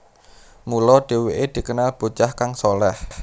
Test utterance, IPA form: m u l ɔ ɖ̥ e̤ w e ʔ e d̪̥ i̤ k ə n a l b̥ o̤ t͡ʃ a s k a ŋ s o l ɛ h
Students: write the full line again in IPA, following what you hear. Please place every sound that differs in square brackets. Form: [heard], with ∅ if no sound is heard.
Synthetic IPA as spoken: m u l ɔ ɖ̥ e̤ w e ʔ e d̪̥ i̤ k ə n a l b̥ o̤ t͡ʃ a [h] k a ŋ s o l ɛ h

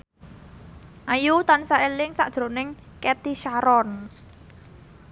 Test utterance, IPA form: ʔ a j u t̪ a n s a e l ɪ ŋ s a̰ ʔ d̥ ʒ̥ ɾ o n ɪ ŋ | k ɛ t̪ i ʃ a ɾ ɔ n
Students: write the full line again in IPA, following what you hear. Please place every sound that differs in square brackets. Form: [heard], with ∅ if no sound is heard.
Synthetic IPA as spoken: ʔ a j u t̪ a n s a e l ɪ ŋ s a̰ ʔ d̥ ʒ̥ ɾ o n ɪ ŋ | k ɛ t̪ i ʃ a ɾ ɔ n

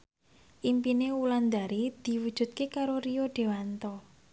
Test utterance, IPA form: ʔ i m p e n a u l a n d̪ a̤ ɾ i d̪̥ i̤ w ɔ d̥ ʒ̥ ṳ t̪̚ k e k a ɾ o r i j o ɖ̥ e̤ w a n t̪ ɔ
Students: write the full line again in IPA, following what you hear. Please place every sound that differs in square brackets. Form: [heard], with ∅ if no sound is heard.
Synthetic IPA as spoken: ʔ i m p [i] n [e] u l a n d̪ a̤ ɾ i d̪̥ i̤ w [u] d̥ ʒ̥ ṳ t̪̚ k e k a ɾ o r i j o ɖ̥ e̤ w a n t̪ ɔ

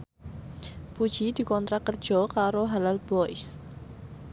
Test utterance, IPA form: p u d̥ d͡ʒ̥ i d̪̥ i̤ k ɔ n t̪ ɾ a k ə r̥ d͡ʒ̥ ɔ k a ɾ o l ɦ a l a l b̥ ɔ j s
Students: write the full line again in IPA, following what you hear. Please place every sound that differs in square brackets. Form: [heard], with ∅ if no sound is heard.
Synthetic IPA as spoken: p u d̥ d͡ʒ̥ i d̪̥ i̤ k ɔ n t̪ ɾ a k ə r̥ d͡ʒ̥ ɔ k a ɾ o [∅] ɦ a l a l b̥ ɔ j s

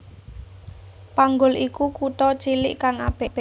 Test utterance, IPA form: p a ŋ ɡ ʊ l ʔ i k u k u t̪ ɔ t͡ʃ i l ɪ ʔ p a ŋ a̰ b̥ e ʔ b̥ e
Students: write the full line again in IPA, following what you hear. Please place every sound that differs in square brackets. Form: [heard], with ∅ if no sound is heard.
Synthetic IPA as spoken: p a ŋ ɡ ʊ l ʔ i k u k u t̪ ɔ t͡ʃ i l ɪ ʔ [k] a ŋ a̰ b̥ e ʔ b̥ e

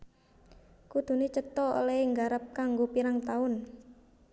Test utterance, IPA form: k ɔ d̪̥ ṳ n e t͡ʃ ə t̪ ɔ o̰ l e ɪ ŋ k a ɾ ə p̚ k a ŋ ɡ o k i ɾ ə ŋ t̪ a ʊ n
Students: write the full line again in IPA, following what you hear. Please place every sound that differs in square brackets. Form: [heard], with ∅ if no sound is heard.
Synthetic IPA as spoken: k [u] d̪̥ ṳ n e t͡ʃ ə t̪ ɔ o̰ l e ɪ ŋ [ɡ] a ɾ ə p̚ k a ŋ ɡ o [p] i ɾ [a] ŋ t̪ a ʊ n

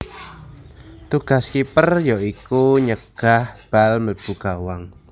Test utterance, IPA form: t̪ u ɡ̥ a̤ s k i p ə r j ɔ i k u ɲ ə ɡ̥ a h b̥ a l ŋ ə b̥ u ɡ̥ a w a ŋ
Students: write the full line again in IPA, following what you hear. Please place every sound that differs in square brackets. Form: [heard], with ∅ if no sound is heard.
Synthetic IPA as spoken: t̪ u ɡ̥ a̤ s k i p ə r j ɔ i k u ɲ ə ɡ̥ a h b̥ a l [m] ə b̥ u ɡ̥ a w a ŋ

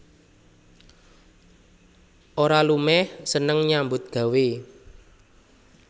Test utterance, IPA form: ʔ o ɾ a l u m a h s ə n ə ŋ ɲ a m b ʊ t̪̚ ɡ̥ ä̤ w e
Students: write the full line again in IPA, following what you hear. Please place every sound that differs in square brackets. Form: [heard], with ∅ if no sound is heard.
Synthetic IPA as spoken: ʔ o ɾ a l u m [ɛ] h s ə n ə ŋ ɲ a m b ʊ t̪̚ ɡ̥ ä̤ w e

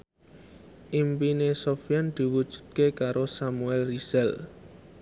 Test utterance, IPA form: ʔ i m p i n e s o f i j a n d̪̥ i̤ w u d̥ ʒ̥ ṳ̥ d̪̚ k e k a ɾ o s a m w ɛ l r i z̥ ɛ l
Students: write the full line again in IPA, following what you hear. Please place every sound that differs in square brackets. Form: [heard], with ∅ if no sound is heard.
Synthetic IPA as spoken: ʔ i m p i n e s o f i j a n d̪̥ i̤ w u d̥ ʒ̥ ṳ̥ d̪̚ k e k a ɾ o s a m [u] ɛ l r i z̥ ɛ l

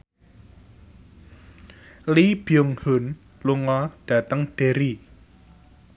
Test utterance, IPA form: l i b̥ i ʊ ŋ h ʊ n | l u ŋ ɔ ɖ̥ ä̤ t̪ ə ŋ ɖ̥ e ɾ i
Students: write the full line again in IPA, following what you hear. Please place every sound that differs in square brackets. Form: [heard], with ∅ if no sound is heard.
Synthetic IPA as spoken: l i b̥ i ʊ ŋ h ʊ n | l u ŋ ɔ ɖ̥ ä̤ t̪ ə ŋ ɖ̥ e ɾ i

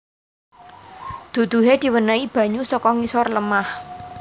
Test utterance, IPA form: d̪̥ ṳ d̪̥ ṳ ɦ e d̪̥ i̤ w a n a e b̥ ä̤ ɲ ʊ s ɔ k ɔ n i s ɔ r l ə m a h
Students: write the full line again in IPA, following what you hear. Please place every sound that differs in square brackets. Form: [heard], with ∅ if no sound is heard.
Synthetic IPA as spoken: d̪̥ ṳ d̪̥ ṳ ɦ e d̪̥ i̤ w [ə] n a [i] b̥ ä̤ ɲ [u] s ɔ k ɔ [ŋ] i s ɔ r l ə m a h

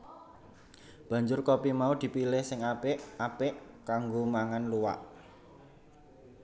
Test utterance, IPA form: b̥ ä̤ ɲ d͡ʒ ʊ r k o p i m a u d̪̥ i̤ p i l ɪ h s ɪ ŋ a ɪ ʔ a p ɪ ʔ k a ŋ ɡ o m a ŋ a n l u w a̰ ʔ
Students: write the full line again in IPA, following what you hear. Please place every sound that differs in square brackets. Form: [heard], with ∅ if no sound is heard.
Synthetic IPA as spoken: b̥ ä̤ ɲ d͡ʒ ʊ r k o p i m a u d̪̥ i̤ p i l ɪ h s ɪ ŋ a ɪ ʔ a p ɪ ʔ k a ŋ ɡ o m a ŋ a n l u w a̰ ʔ

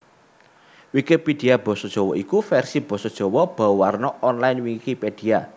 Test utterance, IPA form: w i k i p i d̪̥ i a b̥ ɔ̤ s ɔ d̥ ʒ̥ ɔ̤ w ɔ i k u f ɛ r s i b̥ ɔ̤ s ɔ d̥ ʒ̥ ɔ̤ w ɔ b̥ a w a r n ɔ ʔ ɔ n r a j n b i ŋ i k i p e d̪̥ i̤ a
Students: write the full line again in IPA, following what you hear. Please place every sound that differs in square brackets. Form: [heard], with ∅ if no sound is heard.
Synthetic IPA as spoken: w i k i p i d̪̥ i a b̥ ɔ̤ s ɔ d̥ ʒ̥ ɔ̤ w ɔ i k u f ɛ r s i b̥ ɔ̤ s ɔ d̥ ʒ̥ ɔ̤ w ɔ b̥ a w a r n ɔ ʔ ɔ n [l] a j n [w] i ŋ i k i p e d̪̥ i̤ a

